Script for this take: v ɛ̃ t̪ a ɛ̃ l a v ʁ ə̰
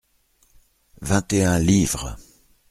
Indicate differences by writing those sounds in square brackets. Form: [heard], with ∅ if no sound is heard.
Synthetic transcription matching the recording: v ɛ̃ t̪ [e] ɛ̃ l [i] v ʁ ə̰

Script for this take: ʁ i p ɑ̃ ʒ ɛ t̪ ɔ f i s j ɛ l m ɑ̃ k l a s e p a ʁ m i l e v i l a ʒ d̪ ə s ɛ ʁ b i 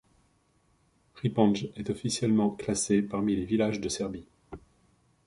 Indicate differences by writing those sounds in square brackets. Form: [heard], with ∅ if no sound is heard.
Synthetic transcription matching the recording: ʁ i p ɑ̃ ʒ ɛ t̪ ɔ f i s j ɛ l m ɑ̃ k l a s e p a ʁ m i l e v i l a ʒ d̪ ə s ɛ ʁ b i

